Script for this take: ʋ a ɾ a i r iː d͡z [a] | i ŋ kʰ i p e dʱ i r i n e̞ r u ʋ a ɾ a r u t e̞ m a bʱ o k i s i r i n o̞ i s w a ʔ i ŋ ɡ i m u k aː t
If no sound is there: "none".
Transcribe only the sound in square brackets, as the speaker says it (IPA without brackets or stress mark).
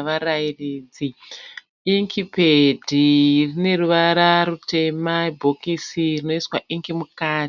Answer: i